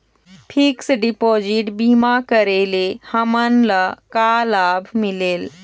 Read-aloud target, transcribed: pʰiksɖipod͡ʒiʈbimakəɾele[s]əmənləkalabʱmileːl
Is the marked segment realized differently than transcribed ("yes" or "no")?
yes